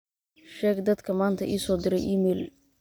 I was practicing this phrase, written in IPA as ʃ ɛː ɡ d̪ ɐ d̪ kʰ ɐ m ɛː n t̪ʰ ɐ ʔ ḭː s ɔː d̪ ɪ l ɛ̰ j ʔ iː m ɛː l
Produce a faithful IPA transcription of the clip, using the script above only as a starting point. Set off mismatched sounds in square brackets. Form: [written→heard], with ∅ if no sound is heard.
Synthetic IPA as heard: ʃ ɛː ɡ d̪ ɐ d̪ kʰ ɐ m [ɛː→aː] n t̪ʰ ɐ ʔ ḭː s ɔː d̪ ɪ [l→ɾ] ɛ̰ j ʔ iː m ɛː l